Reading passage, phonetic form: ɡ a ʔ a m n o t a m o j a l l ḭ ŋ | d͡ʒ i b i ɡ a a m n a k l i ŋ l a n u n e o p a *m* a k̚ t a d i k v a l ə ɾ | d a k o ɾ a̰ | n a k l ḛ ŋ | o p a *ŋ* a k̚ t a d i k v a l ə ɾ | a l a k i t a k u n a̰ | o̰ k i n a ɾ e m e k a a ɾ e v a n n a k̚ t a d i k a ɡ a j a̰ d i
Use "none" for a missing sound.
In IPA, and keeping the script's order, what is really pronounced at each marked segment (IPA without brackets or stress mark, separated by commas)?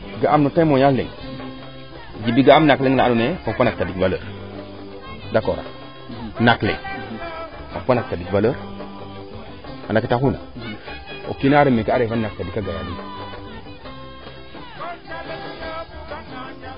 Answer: n, n